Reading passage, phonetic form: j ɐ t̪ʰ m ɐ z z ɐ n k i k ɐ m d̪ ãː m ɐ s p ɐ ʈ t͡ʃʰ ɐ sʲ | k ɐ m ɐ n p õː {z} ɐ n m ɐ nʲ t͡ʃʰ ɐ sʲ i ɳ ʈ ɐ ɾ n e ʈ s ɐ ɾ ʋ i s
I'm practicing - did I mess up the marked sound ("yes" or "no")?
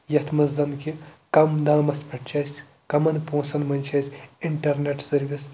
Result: yes